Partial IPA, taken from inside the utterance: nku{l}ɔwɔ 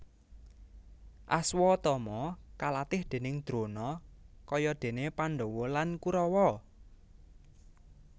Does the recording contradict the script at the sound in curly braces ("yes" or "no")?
yes